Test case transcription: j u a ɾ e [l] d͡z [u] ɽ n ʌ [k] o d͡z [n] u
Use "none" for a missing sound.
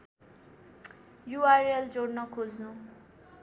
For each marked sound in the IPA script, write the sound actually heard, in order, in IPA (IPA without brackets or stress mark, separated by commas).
l, o, kʰ, n